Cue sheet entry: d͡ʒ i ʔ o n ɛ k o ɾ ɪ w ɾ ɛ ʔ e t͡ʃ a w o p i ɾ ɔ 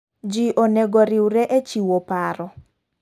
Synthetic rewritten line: d͡ʒ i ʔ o n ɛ ɡ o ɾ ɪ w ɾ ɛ ʔ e t͡ʃ i w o p a ɾ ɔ